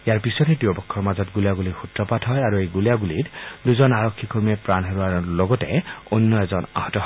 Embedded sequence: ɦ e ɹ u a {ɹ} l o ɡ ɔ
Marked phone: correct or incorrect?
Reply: correct